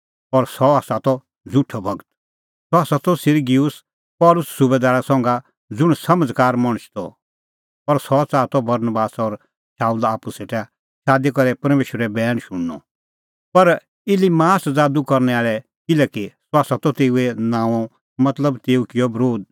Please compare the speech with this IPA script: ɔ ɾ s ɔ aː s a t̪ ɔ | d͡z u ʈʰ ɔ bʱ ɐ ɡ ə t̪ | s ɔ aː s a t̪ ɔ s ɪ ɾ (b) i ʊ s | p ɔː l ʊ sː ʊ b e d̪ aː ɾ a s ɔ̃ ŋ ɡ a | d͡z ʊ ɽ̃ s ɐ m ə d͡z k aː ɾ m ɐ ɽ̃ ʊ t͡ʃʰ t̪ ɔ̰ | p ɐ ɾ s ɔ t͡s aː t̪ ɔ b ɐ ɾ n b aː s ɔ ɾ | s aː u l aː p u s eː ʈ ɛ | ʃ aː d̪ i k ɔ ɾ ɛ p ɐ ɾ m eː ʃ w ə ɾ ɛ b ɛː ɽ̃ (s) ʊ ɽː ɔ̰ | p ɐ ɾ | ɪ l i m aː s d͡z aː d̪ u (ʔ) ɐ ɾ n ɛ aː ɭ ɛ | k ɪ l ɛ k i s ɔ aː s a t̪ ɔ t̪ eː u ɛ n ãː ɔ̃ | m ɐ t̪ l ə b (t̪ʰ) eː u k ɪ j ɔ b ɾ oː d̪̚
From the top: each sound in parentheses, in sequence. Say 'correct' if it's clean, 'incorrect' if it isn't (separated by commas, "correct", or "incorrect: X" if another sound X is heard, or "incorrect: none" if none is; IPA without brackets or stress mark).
incorrect: ɡ, incorrect: ʃ, incorrect: k, incorrect: t̪